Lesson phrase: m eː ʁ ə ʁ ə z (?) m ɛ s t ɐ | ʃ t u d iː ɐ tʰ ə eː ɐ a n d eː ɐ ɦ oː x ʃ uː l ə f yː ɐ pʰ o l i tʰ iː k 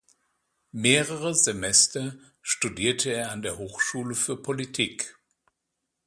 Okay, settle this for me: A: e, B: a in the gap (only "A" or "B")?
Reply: A